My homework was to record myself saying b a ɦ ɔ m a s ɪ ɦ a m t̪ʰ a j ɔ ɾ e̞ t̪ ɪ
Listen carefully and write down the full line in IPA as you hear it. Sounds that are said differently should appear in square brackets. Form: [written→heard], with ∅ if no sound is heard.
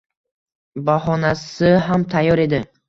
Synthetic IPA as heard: b a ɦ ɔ [m→n] a s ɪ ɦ a m t̪ʰ a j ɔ ɾ e̞ [t̪→d̪] ɪ